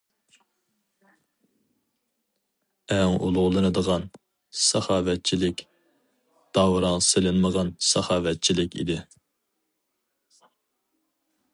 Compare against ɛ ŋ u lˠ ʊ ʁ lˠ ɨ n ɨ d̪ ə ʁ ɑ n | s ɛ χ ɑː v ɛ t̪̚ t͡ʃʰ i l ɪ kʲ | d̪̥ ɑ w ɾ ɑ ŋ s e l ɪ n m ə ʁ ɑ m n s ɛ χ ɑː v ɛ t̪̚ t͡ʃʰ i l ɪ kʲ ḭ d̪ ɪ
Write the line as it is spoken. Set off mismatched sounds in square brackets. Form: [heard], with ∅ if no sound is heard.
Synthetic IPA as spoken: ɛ ŋ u lˠ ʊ ʁ lˠ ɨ n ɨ d̪ ə ʁ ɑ n | s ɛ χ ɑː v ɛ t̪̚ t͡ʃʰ i l ɪ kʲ | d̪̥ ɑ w ɾ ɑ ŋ s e l ɪ n m ə ʁ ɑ [∅] n s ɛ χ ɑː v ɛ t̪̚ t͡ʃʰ i l ɪ kʲ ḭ d̪ ɪ